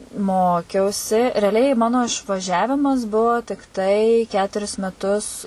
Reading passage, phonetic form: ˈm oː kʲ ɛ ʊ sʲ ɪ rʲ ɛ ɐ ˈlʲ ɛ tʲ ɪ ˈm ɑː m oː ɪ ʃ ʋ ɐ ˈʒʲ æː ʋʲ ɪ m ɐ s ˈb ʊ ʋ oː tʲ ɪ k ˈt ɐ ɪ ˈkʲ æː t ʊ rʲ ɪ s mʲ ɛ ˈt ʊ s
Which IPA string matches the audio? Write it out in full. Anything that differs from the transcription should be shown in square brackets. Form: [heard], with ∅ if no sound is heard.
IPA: ˈm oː kʲ ɛ ʊ sʲ ɪ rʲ ɛ ɐ ˈlʲ ɛ [∅] ɪ ˈm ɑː [n] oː ɪ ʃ ʋ ɐ ˈʒʲ æː ʋʲ ɪ m ɐ s ˈb ʊ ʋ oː tʲ ɪ k ˈt ɐ ɪ ˈkʲ æː t ʊ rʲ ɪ s mʲ ɛ ˈt ʊ s

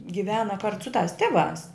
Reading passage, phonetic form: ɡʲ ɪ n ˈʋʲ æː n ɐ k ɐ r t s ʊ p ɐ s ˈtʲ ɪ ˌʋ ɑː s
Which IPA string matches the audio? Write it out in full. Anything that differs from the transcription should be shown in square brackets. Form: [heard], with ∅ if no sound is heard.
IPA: ɡʲ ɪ [∅] ˈʋʲ æː n ɐ k ɐ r t s ʊ [t] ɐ s ˈtʲ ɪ ˌʋ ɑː s

